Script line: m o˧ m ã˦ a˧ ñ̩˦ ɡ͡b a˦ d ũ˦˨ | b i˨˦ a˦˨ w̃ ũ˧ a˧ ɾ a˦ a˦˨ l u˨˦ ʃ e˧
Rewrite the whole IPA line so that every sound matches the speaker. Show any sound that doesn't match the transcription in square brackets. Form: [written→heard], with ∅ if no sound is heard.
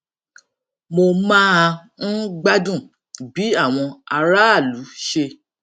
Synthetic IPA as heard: m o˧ m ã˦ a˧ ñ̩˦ ɡ͡b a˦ d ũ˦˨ | b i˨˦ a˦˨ w̃ [ũ˧→ɔ̃˧] a˧ ɾ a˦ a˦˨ l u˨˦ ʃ e˧